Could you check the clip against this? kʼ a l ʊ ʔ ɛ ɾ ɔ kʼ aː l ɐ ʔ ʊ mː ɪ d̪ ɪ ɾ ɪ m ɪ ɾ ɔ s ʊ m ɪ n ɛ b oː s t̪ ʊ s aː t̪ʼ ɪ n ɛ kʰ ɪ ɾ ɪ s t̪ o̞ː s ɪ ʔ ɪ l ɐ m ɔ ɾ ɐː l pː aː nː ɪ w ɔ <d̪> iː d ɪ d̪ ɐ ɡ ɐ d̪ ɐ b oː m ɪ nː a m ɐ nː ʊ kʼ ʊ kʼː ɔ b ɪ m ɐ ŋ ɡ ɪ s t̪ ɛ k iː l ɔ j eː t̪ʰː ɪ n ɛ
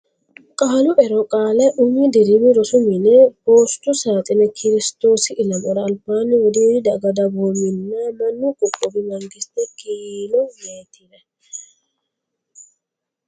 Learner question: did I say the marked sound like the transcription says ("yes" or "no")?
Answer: yes